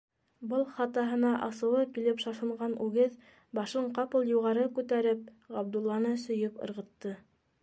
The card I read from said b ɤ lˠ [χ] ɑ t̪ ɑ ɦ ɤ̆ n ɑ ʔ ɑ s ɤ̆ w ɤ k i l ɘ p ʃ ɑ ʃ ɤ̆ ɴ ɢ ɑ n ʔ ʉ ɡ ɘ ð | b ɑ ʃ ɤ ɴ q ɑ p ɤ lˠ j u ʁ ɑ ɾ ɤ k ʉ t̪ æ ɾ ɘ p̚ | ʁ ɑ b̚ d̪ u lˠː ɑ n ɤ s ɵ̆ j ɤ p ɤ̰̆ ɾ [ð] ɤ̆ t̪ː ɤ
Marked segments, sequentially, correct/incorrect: correct, incorrect: ʁ

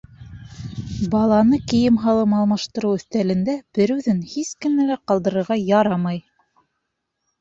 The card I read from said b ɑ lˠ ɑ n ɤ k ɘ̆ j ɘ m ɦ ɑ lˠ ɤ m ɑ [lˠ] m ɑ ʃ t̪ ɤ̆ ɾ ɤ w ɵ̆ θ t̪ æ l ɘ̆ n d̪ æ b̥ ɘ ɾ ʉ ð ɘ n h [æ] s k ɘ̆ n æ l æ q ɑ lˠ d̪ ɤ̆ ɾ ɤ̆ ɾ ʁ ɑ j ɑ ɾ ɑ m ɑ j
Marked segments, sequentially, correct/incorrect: correct, incorrect: i

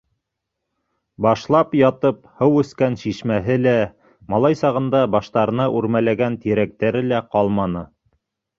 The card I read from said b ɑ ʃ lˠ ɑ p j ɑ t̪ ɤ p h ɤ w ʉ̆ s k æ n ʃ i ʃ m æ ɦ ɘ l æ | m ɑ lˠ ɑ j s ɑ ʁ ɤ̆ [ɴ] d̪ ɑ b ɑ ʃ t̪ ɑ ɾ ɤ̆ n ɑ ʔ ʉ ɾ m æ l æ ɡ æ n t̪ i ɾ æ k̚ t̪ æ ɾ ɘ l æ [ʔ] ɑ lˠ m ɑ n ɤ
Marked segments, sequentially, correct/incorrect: incorrect: n, incorrect: q

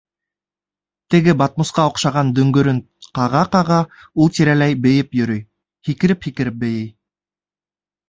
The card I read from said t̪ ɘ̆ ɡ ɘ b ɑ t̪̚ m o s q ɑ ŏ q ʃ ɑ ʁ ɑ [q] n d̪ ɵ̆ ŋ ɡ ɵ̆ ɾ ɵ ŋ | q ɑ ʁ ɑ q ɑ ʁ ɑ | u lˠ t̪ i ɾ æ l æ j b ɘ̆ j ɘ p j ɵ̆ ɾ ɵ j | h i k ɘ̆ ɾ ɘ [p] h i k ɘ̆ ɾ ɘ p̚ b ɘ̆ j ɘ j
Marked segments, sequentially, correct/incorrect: incorrect: none, correct

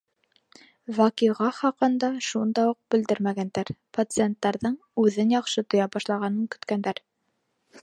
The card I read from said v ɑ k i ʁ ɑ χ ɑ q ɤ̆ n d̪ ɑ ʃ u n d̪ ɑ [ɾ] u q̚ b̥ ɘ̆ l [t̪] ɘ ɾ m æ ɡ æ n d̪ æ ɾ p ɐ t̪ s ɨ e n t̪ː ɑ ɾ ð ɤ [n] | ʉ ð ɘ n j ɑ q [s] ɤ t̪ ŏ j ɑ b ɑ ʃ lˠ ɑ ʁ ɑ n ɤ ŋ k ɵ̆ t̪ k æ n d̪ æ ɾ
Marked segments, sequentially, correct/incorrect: incorrect: none, incorrect: d̪, incorrect: ɴ, incorrect: ʃ

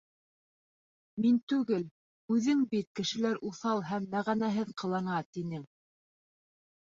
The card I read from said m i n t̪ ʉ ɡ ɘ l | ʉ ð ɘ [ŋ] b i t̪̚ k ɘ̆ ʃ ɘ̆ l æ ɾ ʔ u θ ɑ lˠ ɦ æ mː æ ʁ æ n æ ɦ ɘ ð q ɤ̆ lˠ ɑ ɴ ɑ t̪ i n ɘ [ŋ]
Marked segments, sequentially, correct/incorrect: correct, correct

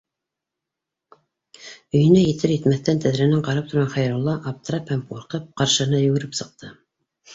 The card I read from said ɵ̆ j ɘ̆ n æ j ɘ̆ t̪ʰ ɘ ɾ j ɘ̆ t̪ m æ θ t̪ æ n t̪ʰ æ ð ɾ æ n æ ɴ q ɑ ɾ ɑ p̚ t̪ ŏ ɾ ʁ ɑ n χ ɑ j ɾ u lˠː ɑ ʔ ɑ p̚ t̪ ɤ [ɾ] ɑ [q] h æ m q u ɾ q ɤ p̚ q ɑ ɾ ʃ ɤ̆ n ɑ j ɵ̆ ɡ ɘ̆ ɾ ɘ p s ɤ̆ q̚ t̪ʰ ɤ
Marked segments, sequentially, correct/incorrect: correct, incorrect: p

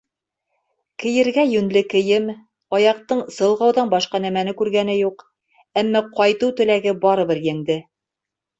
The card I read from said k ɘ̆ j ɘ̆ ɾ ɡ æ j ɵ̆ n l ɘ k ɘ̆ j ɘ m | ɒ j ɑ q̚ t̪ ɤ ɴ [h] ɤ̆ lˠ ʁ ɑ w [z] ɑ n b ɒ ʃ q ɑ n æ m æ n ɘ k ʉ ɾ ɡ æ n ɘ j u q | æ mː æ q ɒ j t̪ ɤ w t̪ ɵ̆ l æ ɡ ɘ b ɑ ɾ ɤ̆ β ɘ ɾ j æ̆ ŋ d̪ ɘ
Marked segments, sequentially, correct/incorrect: incorrect: s, incorrect: ð

